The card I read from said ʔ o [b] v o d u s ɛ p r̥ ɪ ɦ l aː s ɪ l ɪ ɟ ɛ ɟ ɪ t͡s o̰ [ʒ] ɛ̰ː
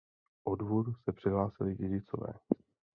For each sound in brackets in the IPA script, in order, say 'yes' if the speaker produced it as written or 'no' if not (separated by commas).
no, no